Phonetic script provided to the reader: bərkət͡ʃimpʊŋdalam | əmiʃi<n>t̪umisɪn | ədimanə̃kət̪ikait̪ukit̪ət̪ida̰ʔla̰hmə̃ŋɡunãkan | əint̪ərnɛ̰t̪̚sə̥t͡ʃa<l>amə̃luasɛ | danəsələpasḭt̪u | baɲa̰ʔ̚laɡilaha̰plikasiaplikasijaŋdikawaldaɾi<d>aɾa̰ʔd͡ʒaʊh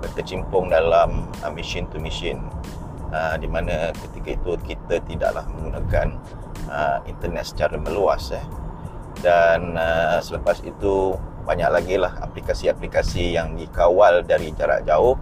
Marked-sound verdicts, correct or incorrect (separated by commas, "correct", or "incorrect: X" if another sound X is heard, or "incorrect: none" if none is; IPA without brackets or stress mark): correct, incorrect: ɾ, incorrect: d͡ʒ